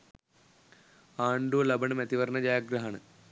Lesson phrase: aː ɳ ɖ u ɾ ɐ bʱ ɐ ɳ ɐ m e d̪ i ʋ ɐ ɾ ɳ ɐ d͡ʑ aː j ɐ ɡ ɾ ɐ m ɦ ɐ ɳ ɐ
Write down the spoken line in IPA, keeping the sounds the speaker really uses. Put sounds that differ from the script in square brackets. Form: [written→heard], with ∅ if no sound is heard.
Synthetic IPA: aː ɳ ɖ u [ɾ→l] ɐ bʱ ɐ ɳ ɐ m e [d̪→t̪] i ʋ ɐ ɾ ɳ ɐ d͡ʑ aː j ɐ ɡ ɾ ɐ [m→∅] ɦ ɐ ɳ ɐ

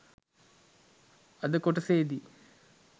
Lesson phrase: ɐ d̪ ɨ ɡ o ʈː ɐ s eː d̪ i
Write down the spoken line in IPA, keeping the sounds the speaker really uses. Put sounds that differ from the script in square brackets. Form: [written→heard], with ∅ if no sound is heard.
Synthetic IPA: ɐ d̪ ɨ [ɡ→k] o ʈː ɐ s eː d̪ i

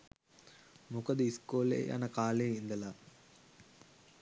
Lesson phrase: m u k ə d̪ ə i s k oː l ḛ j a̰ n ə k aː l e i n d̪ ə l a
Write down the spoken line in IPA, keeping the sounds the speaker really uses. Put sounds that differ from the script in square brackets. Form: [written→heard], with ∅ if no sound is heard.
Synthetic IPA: m u k ə d̪ ə i s k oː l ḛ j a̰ n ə k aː l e i n d̪ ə l a

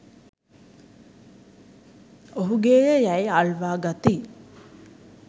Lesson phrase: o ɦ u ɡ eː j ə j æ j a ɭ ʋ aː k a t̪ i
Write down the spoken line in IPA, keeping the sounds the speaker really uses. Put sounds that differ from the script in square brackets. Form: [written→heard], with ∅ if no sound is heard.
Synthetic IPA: o ɦ u ɡ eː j ə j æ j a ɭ ʋ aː [k→ɡ] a t̪ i

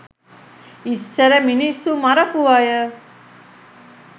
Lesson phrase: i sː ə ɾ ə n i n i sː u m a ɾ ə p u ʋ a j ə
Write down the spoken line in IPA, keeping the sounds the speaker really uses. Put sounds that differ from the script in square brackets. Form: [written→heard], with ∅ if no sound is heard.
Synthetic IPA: i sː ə ɾ ə [n→m] i n i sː u m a ɾ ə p u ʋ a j ə

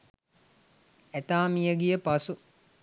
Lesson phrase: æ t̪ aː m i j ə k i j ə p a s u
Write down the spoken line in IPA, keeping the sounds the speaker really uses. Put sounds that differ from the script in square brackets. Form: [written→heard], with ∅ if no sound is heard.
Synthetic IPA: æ t̪ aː m i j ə [k→ɡ] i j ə p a s u

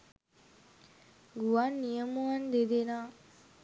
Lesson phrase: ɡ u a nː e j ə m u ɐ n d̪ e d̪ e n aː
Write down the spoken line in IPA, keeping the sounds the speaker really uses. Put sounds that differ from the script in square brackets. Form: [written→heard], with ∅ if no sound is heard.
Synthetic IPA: ɡ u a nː [e→i] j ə m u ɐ n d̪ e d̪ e n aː

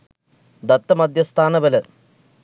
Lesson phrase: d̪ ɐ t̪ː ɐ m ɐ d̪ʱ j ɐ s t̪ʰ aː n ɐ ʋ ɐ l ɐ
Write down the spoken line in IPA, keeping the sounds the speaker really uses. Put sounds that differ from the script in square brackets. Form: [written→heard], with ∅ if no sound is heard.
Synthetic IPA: d̪ ɐ t̪ː ɐ m ɐ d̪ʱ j ɐ s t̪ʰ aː n ɐ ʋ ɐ l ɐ

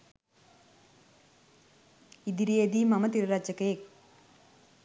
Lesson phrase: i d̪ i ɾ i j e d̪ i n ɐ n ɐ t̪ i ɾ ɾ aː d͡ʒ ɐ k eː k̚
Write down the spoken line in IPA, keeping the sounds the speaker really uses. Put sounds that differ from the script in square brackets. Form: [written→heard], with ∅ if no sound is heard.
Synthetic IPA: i d̪ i ɾ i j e d̪ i [n→m] ɐ [n→m] ɐ t̪ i ɾ ɾ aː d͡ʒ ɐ k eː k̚

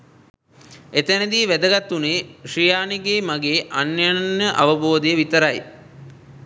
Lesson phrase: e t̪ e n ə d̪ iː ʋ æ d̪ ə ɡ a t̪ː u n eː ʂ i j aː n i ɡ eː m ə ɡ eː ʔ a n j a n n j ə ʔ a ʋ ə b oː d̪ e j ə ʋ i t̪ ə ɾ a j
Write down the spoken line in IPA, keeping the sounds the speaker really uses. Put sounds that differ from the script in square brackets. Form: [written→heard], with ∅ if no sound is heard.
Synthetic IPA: e t̪ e n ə d̪ iː ʋ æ d̪ ə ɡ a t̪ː u n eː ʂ i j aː n i ɡ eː m [ə→a] ɡ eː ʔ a n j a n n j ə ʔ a ʋ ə b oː d̪ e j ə ʋ i t̪ ə ɾ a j

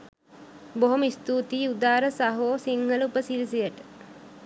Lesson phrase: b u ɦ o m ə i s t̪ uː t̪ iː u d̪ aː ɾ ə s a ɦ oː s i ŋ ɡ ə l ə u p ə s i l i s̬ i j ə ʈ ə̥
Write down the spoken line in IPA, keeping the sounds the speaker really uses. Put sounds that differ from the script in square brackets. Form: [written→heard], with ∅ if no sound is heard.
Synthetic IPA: b [u→o] ɦ o m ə i s t̪ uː t̪ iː u d̪ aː ɾ ə s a ɦ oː s i ŋ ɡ ə l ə u p ə s i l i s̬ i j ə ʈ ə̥

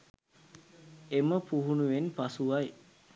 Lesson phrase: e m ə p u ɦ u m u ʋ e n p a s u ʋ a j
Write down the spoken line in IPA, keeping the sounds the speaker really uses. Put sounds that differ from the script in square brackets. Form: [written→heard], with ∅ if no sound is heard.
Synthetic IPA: e m ə p u ɦ u [m→n] u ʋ e n p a s u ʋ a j

